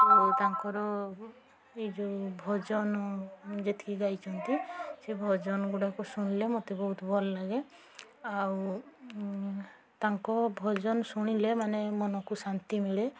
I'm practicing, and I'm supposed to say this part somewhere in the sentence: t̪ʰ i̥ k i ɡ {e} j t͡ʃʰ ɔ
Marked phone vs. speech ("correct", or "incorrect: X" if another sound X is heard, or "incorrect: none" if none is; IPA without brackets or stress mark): incorrect: a